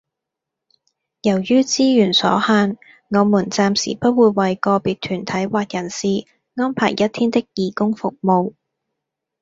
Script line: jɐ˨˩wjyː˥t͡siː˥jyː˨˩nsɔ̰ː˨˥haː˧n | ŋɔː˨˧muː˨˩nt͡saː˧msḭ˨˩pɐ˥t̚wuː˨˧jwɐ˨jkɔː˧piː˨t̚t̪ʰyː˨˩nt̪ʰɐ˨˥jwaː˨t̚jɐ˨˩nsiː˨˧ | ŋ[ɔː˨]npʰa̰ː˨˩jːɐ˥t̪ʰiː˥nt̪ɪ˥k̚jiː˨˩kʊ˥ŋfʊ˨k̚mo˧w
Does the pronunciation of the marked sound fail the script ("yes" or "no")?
yes